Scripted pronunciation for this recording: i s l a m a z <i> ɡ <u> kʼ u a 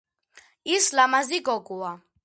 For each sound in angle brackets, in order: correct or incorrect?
correct, incorrect

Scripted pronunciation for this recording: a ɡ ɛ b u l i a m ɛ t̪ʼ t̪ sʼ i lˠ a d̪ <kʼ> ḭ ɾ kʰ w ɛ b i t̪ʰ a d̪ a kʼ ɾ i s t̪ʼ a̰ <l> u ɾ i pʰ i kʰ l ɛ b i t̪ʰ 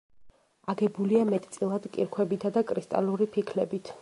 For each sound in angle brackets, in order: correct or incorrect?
correct, correct

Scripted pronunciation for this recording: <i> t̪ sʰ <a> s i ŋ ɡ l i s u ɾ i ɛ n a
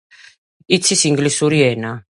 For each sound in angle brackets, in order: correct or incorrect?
correct, incorrect

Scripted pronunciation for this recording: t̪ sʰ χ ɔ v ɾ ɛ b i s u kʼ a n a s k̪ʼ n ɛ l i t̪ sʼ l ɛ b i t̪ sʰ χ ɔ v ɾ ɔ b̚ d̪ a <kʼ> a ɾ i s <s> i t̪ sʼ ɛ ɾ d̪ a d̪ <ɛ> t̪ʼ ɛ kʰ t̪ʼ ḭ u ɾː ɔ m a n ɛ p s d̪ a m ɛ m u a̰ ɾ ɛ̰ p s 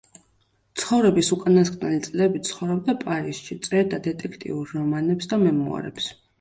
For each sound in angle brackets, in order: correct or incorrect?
incorrect, incorrect, correct

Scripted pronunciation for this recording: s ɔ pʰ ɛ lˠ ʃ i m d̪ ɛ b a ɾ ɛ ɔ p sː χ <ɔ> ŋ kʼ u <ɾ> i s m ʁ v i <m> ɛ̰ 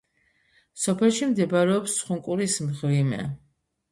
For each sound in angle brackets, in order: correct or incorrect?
incorrect, correct, correct

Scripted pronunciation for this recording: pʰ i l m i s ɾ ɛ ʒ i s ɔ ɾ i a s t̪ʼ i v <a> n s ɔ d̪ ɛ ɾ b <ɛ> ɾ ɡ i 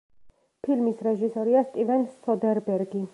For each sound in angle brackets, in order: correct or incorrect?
incorrect, correct

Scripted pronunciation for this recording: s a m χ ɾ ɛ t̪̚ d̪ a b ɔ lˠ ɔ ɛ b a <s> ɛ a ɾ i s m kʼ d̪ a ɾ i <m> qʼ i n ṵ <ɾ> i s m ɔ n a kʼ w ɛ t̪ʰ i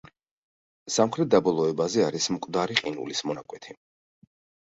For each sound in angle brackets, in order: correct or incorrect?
incorrect, incorrect, incorrect

